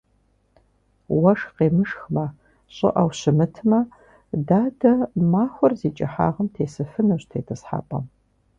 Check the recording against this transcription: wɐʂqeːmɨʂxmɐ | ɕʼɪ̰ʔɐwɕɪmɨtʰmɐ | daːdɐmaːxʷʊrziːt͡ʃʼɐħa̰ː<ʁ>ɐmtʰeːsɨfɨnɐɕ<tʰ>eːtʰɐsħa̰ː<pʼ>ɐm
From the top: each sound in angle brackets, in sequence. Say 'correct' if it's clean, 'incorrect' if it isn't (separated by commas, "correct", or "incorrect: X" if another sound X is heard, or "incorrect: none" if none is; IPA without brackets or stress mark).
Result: correct, correct, correct